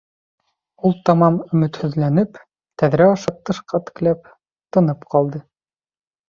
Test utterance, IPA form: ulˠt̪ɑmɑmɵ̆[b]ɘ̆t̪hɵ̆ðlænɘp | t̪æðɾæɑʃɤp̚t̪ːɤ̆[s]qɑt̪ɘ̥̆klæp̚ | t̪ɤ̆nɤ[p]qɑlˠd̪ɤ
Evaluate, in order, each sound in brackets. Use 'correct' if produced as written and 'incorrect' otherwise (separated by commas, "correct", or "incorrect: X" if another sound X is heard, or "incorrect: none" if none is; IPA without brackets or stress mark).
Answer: incorrect: m, incorrect: ʃ, correct